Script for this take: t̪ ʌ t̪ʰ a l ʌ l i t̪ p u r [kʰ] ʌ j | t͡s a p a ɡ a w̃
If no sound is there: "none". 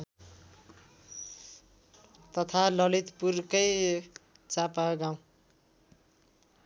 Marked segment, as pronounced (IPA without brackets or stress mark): k